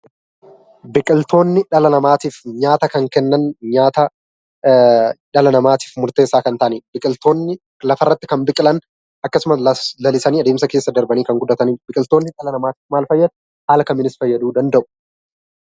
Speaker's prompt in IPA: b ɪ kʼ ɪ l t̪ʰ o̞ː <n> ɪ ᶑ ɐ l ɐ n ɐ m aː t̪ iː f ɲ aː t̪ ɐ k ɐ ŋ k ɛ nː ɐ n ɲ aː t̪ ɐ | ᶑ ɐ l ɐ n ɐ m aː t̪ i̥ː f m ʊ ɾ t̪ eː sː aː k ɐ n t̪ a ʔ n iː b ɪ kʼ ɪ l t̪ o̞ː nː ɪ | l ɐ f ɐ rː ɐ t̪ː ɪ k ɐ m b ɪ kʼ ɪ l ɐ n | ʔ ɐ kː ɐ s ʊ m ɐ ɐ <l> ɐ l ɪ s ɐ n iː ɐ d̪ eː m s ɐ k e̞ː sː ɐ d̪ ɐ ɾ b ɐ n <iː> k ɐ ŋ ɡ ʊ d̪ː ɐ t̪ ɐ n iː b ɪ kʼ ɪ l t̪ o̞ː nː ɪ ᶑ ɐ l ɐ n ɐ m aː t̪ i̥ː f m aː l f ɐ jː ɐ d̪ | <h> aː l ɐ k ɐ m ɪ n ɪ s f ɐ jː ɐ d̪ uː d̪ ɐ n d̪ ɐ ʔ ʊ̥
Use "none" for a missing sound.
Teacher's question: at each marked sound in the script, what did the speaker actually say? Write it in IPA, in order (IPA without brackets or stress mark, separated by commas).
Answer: nː, l, iː, h